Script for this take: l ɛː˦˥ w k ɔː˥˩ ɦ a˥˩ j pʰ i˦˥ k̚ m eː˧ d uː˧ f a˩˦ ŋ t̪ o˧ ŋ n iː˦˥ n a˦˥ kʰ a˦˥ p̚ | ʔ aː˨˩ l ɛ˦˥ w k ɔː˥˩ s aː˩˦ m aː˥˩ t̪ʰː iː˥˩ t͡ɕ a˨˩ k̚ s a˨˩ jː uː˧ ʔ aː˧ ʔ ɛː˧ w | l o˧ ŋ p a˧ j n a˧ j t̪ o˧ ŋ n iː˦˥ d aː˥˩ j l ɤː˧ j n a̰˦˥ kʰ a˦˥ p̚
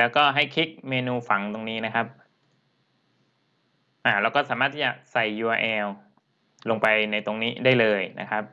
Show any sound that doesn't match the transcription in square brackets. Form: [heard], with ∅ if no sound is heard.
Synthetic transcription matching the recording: l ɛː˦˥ w k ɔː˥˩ ɦ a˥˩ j [kʰ] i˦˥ k̚ m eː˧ [n] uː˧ f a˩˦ ŋ t̪ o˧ ŋ n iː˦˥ n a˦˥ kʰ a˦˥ p̚ | ʔ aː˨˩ l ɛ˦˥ w k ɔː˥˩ s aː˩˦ m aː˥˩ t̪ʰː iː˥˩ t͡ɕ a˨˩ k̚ s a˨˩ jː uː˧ ʔ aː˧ ʔ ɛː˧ w | l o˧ ŋ p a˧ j n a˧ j t̪ o˧ ŋ n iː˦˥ d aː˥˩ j l ɤː˧ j n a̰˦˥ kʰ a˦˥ p̚

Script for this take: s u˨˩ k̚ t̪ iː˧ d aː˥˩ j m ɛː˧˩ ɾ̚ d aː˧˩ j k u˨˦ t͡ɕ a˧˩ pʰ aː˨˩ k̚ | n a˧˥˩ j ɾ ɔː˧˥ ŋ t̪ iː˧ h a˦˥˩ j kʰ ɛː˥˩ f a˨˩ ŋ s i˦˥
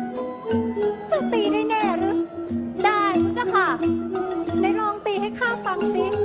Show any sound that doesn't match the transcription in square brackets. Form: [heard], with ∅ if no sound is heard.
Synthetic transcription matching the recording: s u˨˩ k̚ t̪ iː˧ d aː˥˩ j [n] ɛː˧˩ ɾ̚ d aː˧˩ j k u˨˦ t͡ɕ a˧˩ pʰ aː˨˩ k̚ | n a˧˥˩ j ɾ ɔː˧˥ ŋ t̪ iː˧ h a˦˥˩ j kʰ [aː˥˩] f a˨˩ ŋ s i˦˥

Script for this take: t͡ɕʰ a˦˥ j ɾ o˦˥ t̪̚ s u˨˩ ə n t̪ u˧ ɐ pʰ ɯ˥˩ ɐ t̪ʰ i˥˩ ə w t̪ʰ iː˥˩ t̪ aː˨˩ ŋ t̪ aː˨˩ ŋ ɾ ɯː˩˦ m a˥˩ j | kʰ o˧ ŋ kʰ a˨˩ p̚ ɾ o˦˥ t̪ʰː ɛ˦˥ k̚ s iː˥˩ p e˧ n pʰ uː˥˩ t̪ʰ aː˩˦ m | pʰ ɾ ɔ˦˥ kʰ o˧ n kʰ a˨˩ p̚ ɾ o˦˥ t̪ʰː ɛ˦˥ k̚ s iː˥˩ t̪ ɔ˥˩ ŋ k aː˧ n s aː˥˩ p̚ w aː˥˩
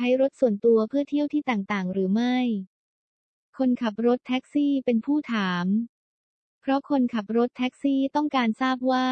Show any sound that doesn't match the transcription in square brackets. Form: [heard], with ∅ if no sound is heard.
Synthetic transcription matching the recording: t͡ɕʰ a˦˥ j ɾ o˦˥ t̪̚ s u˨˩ ə n t̪ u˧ ɐ pʰ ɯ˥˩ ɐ t̪ʰ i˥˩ ə w t̪ʰ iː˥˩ t̪ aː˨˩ ŋ t̪ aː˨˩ ŋ ɾ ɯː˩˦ m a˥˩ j | kʰ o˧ [n] kʰ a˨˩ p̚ ɾ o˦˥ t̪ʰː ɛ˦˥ k̚ s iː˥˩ p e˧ n pʰ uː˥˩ t̪ʰ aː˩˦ m | pʰ ɾ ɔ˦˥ kʰ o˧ n kʰ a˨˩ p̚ ɾ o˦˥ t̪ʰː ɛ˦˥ k̚ s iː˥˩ t̪ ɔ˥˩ ŋ k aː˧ n s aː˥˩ p̚ w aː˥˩

